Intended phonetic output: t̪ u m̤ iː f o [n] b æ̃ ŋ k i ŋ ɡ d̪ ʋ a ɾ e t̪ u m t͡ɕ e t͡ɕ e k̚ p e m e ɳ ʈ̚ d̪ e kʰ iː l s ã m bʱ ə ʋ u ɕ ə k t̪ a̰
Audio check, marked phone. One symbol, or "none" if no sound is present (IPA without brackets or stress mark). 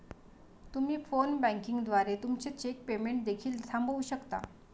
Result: n